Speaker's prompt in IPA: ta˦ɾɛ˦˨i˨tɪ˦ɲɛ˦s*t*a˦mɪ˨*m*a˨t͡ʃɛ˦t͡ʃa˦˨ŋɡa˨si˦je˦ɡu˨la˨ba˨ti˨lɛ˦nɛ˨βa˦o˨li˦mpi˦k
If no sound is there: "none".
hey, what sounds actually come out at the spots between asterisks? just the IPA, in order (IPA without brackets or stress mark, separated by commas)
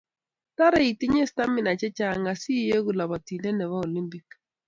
t, n